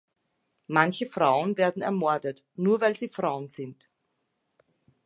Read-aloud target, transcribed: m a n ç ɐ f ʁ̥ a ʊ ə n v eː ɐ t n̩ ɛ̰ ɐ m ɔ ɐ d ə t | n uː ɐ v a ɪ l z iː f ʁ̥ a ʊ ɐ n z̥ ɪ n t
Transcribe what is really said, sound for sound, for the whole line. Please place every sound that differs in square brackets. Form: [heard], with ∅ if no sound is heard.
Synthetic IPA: m a n ç [ə] f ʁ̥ a ʊ ə n v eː ɐ [d] n̩ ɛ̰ ɐ m ɔ ɐ d ə t | n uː ɐ v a ɪ l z iː f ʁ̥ a ʊ [ə] n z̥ ɪ n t